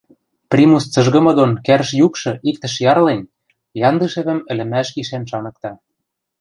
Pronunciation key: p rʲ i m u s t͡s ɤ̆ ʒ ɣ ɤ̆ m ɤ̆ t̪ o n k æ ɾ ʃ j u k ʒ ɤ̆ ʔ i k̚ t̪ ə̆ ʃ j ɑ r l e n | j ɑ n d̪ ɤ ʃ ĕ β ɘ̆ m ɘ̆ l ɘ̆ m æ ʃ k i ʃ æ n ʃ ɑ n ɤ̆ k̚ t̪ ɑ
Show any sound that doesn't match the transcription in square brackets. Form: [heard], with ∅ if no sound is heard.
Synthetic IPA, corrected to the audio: p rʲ i m u s t͡s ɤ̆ ʒ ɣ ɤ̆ m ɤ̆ [d̪] o n k æ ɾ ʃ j u k [ʃ] ɤ̆ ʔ i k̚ t̪ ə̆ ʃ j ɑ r l e n | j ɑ n d̪ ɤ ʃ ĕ β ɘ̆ m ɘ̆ l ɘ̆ m æ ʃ k i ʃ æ n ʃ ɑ n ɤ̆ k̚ t̪ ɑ